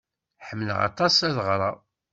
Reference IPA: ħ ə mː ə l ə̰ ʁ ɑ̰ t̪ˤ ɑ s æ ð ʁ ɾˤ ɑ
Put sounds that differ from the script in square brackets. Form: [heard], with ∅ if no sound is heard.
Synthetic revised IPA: ħ ə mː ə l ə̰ ʁ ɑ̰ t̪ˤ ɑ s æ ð ʁ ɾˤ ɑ